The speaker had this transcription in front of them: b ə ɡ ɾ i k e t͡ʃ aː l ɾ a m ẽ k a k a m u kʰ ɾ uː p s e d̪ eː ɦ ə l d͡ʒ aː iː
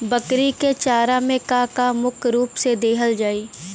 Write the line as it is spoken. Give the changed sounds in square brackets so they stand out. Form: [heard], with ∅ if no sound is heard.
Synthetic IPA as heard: b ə [k] ɾ i k e t͡ʃ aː [∅] ɾ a m ẽ k a k a m [ʊ] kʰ ɾ uː p s e d̪ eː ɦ ə l d͡ʒ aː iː

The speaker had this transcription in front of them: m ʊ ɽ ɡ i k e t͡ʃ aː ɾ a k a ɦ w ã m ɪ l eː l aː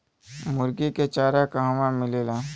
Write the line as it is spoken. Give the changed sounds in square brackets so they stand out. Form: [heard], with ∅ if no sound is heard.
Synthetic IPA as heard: m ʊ [ɾ] ɡ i k e t͡ʃ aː ɾ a k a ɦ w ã m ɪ l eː l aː

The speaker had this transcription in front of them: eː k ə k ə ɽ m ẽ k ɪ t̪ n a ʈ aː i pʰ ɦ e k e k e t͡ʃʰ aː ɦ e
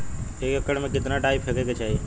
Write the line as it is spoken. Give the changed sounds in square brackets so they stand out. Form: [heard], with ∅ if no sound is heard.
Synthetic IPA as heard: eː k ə k ə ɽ m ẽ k ɪ t̪ n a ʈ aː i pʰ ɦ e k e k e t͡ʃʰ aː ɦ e

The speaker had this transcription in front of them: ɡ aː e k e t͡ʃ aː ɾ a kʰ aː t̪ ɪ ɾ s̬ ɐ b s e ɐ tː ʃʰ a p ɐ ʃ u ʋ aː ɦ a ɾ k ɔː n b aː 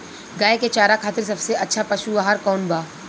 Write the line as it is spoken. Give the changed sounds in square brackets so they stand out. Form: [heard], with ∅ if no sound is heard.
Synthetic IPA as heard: ɡ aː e k e t͡ʃ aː ɾ a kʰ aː t̪ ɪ ɾ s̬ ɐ b s e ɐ tː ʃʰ a p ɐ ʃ u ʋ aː ɦ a ɾ k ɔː n b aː

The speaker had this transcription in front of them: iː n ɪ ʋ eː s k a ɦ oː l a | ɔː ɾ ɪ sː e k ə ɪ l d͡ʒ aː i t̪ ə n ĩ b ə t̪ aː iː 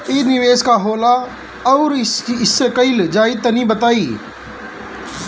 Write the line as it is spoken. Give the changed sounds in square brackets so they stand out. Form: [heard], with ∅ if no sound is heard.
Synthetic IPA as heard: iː n ɪ ʋ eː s k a ɦ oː l a | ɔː ɾ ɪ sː e k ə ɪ l d͡ʒ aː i t̪ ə n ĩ b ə t̪ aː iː

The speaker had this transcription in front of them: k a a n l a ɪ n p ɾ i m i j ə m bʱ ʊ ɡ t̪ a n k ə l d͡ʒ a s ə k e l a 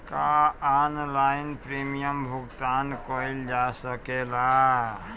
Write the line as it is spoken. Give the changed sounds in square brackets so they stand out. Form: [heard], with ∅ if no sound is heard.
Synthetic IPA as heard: k a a n l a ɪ n p ɾ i m i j ə m bʱ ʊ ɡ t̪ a n k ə l d͡ʒ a s ə k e l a

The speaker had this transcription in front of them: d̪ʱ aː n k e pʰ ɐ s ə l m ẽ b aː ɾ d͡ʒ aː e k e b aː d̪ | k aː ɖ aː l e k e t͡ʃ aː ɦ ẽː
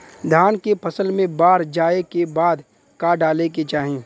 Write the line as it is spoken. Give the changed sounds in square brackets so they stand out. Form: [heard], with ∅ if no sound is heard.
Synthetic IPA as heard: d̪ʱ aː n k e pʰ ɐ s ə l m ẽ b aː ɾ d͡ʒ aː e k e b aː d̪ | k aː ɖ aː l e k e t͡ʃ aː ɦ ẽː

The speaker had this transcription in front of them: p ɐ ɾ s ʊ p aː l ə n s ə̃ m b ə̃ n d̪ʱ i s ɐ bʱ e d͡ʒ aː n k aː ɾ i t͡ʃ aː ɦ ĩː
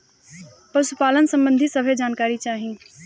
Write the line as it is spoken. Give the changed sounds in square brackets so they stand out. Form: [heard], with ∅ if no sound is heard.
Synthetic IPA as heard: p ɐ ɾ s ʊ p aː l ə n s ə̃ m b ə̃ n d̪ʱ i s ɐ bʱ e d͡ʒ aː n k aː ɾ i t͡ʃ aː ɦ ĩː

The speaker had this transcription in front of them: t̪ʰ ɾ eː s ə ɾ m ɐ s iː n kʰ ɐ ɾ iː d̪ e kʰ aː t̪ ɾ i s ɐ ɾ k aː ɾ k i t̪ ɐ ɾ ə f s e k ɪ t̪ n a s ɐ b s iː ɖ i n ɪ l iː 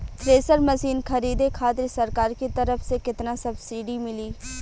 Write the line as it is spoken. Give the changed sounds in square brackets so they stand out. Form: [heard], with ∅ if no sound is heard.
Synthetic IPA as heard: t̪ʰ ɾ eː s ə ɾ m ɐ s iː n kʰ ɐ ɾ iː d̪ e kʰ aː t̪ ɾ i s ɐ ɾ k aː ɾ k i t̪ ɐ ɾ ə f s e k ɪ t̪ n a s ɐ b s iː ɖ i [m] ɪ l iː

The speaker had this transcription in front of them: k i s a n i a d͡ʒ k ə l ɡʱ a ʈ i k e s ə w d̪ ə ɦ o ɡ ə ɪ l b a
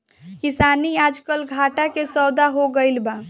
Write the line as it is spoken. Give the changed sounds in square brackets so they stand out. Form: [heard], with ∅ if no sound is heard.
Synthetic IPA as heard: k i s a n i a d͡ʒ k ə l ɡʱ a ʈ [a] k e s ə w d̪ [a] ɦ o ɡ ə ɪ l b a

